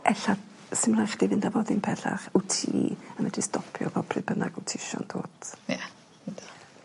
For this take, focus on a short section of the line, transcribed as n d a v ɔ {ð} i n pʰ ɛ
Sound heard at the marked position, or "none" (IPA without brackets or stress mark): ð